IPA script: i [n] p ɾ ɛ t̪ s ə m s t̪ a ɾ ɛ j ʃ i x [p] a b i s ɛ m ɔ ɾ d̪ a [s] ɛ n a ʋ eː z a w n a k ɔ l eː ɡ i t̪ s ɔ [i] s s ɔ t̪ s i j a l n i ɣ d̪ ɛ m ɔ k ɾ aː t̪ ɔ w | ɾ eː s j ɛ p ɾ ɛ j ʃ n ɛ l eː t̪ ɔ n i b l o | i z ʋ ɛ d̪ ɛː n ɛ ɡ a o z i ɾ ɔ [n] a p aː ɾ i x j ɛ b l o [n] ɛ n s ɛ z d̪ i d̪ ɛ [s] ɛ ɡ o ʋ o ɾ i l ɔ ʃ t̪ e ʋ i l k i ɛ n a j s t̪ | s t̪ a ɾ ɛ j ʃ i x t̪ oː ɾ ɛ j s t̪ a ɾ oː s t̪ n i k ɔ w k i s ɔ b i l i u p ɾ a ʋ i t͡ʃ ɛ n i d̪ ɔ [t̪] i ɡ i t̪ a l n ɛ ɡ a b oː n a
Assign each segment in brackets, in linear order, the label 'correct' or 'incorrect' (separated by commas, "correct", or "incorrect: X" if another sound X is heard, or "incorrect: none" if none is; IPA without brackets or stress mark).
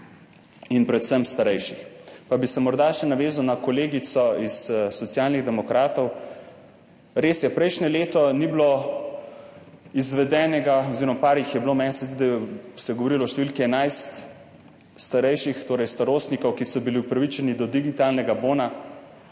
correct, correct, incorrect: ʃ, correct, incorrect: m, incorrect: m, correct, incorrect: d̪